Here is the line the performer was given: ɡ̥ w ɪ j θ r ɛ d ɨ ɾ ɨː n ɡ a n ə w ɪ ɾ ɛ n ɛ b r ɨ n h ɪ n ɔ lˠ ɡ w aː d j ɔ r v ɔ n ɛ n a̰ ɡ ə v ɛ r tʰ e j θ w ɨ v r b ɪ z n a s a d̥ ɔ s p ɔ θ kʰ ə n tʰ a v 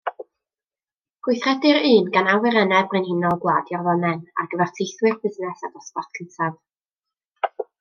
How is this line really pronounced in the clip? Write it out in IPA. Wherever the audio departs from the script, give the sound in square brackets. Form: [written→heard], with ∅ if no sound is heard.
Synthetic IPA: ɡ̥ w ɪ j θ r ɛ d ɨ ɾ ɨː n ɡ a n [ə→a] w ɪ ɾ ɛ n ɛ b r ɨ n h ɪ n ɔ lˠ ɡ w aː d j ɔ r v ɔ n ɛ n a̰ ɡ ə v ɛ r tʰ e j θ w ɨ [v→∅] r b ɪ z n [a→ɛ] s a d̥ ɔ s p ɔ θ kʰ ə n tʰ a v